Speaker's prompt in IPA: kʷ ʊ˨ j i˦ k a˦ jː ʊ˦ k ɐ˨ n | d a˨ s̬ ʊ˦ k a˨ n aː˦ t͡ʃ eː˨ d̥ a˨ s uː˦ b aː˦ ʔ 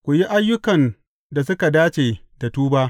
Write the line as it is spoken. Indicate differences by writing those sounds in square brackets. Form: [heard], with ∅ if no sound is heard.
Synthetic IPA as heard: kʷ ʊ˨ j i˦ [ʔ] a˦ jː ʊ˦ k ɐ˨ n | d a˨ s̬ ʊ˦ k a˨ [d] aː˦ t͡ʃ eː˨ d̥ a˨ [t] uː˦ b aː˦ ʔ